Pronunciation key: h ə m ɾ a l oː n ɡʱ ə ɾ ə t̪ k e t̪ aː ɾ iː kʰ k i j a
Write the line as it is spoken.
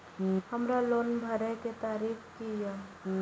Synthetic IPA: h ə m ɾ a l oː n bʱ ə ɾ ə k e t̪ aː ɾ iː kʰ k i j a